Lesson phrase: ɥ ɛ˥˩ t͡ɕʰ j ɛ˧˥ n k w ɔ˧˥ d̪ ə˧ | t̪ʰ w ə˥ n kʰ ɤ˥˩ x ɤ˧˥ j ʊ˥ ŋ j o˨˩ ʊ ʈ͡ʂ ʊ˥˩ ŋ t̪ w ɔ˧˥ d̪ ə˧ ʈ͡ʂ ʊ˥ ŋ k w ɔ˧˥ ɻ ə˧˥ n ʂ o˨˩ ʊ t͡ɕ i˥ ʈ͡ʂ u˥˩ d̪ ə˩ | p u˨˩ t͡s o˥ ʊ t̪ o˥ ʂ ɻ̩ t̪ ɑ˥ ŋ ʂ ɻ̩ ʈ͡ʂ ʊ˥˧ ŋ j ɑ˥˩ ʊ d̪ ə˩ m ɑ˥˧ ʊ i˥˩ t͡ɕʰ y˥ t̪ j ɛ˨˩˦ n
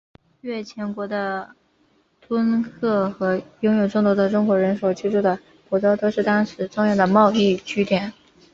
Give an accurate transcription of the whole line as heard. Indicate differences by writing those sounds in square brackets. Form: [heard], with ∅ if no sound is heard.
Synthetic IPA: ɥ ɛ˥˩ t͡ɕʰ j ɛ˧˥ n k w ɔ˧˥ d̪ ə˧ | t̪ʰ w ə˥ n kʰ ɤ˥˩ x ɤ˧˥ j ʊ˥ ŋ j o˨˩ ʊ ʈ͡ʂ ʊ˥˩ ŋ t̪ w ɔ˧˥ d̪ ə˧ ʈ͡ʂ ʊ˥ ŋ k w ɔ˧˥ ɻ ə˧˥ n ʂ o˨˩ ʊ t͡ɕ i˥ ʈ͡ʂ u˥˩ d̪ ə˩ | p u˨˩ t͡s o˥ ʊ t̪ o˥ ʂ ɻ̩ t̪ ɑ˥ ŋ ʂ ɻ̩ ʈ͡ʂ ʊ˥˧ ŋ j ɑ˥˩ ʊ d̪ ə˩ m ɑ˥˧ ʊ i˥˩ t͡ɕʰ y˥ t̪ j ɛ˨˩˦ n